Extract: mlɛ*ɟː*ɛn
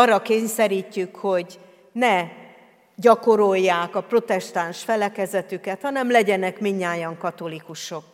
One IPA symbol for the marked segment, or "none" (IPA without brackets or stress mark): ɟ